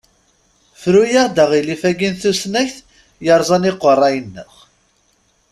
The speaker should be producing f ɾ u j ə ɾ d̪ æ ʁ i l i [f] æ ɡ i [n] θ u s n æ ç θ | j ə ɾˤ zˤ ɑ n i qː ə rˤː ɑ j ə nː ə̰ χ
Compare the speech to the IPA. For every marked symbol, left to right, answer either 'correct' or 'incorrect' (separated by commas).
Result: correct, correct